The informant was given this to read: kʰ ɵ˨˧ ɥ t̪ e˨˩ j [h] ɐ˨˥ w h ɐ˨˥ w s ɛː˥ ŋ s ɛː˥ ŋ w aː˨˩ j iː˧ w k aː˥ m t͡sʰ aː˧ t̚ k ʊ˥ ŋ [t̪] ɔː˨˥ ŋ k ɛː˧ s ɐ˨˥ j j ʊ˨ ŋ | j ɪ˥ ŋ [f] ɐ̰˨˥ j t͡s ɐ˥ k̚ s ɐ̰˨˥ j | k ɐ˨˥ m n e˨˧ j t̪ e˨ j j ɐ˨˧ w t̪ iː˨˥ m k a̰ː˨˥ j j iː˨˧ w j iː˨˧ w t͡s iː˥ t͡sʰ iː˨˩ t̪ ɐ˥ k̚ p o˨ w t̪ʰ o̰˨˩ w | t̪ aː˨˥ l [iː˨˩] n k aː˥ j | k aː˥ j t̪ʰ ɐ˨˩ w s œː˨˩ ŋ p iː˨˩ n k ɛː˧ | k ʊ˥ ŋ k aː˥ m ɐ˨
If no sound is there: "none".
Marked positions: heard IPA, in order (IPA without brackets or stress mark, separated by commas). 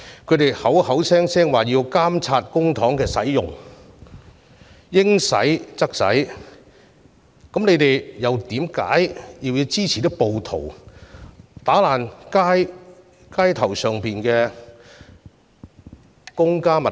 h, t̪ʰ, s, aː˨˩